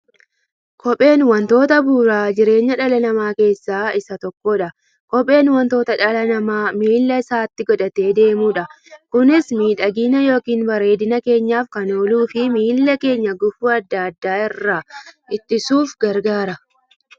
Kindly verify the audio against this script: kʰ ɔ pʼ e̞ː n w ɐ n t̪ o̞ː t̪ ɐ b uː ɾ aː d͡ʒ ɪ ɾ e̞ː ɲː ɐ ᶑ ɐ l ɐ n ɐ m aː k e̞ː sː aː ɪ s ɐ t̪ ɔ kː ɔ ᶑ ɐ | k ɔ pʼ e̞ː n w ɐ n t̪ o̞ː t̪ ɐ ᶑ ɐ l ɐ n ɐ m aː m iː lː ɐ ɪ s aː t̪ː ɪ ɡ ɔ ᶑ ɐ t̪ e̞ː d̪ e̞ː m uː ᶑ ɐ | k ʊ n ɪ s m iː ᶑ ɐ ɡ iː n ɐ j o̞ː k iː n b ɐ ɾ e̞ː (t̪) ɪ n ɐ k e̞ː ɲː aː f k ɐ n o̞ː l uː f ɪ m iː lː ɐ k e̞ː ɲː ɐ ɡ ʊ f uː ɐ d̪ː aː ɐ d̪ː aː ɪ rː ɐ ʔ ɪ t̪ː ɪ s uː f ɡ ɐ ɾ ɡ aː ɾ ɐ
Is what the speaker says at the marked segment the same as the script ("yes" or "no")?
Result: no